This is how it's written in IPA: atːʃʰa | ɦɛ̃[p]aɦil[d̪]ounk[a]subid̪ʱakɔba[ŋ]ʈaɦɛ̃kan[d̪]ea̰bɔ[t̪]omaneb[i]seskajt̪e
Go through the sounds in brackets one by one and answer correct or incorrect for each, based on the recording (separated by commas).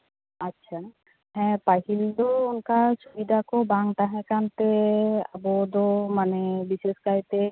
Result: correct, correct, correct, correct, incorrect, incorrect, correct